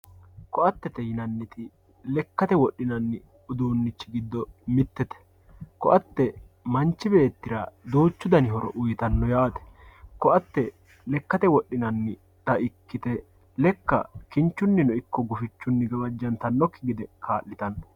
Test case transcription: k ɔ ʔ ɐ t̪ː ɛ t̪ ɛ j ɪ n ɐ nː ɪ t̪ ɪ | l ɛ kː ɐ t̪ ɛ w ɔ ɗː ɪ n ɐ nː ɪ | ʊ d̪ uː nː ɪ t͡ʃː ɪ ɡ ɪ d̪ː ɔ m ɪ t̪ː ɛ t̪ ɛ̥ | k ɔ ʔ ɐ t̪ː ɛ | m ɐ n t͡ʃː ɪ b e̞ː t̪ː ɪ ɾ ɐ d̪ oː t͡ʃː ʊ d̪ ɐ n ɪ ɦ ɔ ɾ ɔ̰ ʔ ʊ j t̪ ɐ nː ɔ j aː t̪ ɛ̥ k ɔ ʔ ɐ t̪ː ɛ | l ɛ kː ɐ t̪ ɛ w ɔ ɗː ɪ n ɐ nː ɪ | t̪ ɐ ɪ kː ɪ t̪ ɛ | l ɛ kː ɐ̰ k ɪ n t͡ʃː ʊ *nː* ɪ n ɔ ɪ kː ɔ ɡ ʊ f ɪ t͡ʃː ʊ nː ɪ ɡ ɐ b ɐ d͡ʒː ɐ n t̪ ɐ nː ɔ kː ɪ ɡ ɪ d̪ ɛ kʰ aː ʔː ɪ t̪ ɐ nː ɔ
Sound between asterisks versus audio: correct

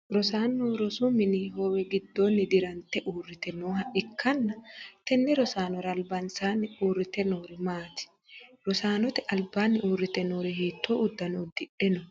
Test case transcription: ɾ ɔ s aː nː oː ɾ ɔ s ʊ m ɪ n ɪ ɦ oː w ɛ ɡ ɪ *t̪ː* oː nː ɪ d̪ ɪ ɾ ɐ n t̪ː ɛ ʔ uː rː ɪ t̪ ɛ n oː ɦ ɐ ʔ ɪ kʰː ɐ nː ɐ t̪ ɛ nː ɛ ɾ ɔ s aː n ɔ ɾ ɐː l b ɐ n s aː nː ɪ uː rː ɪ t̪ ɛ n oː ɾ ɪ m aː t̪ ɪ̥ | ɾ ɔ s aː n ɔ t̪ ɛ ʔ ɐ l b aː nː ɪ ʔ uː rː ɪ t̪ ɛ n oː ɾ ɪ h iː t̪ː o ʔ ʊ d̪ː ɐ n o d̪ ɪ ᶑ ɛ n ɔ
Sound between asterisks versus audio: incorrect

